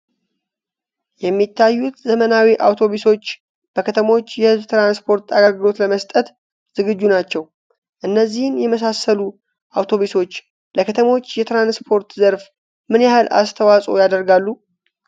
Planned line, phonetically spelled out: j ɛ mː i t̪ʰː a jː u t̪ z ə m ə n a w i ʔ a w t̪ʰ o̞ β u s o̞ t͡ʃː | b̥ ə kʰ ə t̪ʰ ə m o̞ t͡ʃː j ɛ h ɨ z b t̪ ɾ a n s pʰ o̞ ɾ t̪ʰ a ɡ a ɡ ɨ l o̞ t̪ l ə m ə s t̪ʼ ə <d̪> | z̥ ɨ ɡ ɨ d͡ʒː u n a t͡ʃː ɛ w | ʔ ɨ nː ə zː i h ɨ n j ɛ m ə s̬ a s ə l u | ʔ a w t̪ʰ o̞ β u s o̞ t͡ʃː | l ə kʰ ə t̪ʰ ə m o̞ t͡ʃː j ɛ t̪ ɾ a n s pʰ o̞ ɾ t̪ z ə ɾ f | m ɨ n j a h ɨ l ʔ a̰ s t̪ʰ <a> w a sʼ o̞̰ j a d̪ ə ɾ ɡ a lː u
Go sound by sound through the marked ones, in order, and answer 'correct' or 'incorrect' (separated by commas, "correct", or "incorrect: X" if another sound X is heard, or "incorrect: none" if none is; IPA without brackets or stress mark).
incorrect: t̪, incorrect: ə